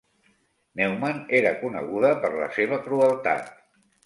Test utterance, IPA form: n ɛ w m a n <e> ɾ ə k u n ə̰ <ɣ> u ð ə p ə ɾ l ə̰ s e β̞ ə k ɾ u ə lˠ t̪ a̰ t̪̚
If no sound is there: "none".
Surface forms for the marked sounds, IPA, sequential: e, ɣ

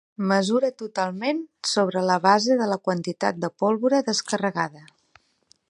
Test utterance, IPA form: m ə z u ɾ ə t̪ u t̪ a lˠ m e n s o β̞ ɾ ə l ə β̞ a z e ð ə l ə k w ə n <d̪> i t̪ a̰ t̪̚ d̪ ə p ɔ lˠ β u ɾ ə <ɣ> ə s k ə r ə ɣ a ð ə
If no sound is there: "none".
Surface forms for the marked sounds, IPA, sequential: t̪, ð

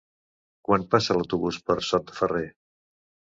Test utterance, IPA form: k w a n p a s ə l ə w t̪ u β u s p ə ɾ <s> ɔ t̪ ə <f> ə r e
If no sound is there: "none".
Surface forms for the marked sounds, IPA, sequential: s, f

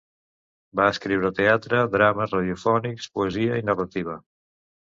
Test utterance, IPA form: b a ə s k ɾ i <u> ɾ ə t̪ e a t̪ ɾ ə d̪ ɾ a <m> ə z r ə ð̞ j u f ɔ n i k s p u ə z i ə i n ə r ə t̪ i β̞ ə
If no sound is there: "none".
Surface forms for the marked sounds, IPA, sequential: w, m

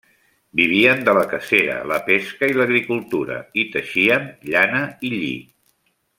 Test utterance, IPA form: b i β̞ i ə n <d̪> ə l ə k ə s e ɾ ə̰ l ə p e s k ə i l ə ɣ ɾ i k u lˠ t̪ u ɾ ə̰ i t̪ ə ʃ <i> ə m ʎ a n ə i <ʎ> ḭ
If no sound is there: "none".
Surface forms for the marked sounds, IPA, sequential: d̪, i, ʎ

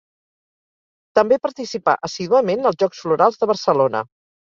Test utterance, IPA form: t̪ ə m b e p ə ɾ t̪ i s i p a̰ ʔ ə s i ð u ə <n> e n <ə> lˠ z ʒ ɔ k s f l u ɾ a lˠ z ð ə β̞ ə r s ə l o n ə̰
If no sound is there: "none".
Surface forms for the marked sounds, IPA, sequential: m, ə

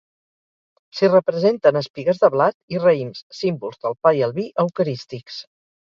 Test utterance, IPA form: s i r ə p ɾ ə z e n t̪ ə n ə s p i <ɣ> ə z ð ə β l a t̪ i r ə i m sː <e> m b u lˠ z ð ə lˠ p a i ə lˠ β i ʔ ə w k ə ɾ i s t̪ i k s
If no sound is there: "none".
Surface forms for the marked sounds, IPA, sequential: ɣ, i

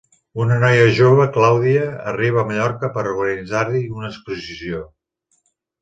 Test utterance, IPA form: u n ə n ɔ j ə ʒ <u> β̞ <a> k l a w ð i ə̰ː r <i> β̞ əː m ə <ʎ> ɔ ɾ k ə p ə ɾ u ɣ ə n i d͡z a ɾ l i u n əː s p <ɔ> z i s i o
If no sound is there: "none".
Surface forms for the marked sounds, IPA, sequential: o, ə, i, ʎ, u

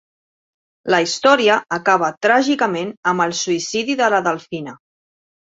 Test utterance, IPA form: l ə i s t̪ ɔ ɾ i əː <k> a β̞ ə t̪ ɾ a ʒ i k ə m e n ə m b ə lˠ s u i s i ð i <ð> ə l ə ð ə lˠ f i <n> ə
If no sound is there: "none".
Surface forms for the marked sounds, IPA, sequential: k, ð, n

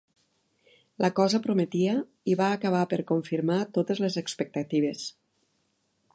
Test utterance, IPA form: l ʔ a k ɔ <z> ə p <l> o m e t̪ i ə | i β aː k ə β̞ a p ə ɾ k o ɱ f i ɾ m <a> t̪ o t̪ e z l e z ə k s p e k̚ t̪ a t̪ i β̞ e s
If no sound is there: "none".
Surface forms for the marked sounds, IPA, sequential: z, ɾ, a

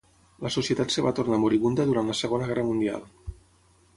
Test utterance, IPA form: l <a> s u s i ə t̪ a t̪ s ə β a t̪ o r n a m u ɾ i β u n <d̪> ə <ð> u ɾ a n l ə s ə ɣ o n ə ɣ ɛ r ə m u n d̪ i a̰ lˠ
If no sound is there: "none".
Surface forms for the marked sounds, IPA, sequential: ə, d̪, ð

